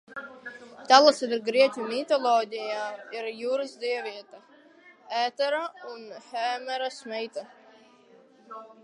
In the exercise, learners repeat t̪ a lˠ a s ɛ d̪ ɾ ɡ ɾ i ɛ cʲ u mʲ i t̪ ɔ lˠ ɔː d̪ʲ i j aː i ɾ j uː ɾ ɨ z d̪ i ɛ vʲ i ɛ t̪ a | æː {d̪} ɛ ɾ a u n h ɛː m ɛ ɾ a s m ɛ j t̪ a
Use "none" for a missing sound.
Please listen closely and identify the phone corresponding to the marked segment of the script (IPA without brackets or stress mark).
t̪